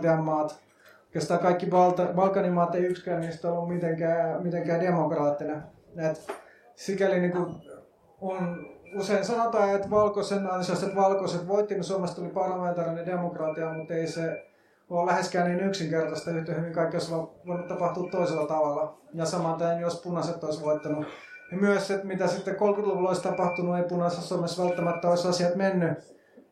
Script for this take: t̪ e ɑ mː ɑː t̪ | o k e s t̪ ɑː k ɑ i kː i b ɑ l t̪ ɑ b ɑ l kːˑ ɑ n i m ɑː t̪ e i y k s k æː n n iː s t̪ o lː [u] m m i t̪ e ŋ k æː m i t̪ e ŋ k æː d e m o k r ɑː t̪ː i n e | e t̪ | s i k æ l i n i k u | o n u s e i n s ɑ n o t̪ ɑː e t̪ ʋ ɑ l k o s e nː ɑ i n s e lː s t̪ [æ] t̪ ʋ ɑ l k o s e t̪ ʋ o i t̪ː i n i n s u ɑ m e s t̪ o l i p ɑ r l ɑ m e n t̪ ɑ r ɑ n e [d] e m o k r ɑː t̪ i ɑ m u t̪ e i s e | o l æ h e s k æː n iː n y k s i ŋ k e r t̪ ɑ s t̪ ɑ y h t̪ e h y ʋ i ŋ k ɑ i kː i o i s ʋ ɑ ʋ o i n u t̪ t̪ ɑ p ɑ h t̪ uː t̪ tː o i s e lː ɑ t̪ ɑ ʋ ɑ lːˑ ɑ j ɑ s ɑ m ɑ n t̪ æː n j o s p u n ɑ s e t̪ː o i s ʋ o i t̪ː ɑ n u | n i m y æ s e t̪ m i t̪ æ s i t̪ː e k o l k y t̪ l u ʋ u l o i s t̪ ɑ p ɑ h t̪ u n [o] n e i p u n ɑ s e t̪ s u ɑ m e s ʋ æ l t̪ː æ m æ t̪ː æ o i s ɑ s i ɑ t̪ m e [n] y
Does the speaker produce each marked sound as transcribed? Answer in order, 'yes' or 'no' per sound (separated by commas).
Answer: yes, no, yes, no, no